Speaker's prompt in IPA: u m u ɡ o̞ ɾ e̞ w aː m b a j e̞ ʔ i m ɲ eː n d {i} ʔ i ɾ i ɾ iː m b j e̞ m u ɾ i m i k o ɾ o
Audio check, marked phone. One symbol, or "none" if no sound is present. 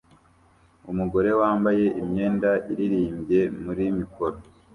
a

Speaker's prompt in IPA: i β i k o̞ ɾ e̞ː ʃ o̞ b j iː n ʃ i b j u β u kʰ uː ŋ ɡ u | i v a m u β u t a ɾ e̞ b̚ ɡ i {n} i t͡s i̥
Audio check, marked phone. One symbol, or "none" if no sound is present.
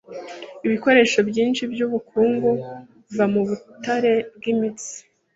m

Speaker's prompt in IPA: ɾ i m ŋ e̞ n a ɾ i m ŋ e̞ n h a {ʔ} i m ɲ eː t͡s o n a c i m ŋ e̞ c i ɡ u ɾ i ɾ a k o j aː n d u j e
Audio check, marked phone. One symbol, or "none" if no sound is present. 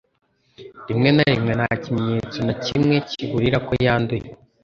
c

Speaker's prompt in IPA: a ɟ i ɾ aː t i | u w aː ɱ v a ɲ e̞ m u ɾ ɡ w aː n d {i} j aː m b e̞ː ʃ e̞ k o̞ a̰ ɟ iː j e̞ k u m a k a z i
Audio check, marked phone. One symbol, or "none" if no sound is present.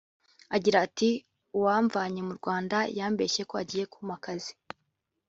a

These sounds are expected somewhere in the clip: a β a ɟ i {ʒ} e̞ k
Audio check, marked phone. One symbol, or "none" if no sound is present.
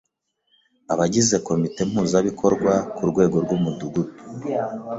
z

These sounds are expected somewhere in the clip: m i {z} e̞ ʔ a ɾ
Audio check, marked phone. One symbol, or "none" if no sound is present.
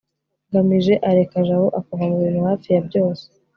ʒ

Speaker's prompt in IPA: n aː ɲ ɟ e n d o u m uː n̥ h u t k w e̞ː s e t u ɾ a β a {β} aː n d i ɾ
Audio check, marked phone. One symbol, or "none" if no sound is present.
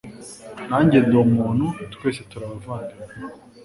v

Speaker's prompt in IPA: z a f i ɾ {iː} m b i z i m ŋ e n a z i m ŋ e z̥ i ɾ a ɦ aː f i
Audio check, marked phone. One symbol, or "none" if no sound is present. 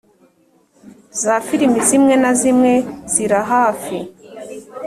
i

